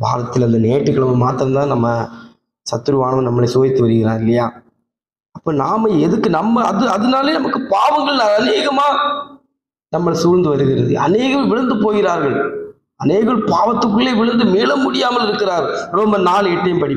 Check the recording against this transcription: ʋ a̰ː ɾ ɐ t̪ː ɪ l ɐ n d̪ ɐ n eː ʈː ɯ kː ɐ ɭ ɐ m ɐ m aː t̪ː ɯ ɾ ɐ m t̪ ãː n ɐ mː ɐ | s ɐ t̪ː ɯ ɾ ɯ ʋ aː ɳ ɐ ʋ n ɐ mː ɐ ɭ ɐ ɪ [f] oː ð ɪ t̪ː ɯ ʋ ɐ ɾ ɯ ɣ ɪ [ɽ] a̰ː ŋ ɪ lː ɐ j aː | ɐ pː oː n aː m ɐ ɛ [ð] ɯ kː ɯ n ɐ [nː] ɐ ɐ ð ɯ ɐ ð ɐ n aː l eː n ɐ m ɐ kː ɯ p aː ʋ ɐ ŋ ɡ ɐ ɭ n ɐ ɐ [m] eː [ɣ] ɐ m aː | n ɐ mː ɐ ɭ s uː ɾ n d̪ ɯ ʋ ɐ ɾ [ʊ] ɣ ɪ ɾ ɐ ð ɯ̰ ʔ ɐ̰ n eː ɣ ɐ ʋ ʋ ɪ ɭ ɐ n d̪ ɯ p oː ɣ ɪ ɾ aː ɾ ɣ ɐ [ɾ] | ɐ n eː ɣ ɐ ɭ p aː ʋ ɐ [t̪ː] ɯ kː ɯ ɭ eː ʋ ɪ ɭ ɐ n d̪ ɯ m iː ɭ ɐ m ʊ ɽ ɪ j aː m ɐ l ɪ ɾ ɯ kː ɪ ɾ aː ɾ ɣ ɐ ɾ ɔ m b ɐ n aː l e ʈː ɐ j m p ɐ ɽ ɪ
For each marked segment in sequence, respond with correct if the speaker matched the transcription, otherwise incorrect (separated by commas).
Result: incorrect, incorrect, correct, incorrect, incorrect, correct, incorrect, incorrect, correct